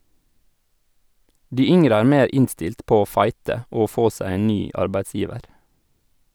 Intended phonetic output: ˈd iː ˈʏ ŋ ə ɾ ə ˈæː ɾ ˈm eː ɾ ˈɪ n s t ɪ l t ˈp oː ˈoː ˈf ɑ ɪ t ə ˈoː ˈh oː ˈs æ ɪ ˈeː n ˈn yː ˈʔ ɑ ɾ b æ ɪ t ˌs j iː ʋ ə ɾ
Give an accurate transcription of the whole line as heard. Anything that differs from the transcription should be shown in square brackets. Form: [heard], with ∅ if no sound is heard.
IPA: ˈd iː ˈʏ ŋ ə ɾ ə ˈæː ɾ ˈm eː ɾ ˈɪ n s t ɪ l t ˈp oː ˈoː ˈf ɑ ɪ t ə ˈoː [ˈf] oː ˈs æ ɪ ˈeː n ˈn yː ˈʔ ɑ ɾ b æ ɪ t ˌs j iː ʋ ə ɾ